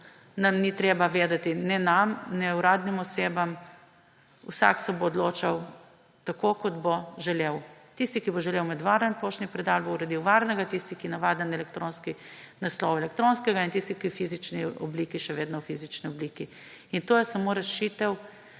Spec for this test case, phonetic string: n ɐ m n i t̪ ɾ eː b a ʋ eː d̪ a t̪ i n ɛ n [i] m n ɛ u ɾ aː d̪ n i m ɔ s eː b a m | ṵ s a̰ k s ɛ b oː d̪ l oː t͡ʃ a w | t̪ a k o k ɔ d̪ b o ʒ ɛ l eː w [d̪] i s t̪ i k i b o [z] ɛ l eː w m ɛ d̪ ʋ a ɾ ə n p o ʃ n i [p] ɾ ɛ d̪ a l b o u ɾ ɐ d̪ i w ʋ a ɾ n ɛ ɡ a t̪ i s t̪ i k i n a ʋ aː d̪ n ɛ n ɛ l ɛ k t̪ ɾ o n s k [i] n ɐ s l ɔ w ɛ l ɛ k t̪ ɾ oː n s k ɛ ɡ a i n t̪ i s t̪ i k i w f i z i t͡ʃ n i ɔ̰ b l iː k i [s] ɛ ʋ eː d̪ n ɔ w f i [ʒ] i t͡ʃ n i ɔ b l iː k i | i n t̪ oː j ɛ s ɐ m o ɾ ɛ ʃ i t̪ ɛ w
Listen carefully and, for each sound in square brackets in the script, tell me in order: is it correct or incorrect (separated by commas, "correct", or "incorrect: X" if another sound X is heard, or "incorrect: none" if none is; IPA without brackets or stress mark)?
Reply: incorrect: a, incorrect: t̪, incorrect: ʒ, correct, correct, incorrect: ʃ, incorrect: z